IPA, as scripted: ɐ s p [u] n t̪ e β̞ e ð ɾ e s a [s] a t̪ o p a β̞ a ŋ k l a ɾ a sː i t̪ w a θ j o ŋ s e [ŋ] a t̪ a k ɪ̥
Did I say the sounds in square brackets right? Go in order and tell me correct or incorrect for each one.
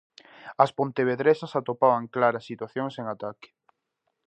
incorrect: o, correct, correct

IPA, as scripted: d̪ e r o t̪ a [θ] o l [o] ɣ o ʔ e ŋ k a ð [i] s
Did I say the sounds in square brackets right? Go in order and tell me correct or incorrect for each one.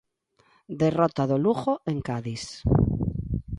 incorrect: ð, incorrect: u, correct

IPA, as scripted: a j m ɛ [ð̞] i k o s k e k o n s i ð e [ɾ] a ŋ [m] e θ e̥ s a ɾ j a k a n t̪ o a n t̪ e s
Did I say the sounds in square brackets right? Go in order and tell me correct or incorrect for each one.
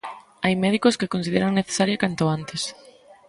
correct, correct, incorrect: n

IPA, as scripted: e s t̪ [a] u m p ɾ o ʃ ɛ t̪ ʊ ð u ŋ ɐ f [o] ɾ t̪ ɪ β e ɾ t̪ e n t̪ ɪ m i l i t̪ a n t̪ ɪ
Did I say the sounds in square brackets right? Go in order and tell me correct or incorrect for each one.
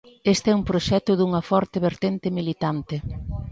incorrect: ɛ, incorrect: ɔ

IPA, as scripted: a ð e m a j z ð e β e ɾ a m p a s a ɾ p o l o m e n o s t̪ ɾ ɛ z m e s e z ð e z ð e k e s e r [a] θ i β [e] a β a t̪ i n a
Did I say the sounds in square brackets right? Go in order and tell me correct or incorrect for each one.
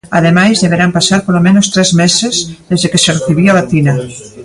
incorrect: e, incorrect: i

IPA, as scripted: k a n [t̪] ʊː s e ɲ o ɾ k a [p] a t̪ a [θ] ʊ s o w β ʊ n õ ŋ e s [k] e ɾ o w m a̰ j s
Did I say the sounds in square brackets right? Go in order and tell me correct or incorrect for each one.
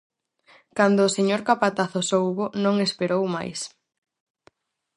incorrect: d̪, correct, correct, incorrect: p

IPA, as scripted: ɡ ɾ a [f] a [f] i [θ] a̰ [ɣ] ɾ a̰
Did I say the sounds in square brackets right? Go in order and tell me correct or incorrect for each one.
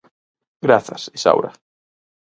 incorrect: θ, incorrect: s, incorrect: s, incorrect: w

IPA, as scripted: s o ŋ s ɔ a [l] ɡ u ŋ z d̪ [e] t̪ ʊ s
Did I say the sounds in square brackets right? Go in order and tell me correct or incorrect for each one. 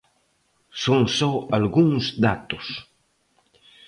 correct, incorrect: a

